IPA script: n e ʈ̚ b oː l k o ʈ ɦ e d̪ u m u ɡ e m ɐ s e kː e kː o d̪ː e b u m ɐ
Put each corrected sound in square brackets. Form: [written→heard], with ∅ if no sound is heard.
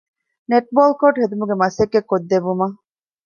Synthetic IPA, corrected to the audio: n e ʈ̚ b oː l k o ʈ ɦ e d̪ u m u ɡ e m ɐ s e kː e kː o d̪ː e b u m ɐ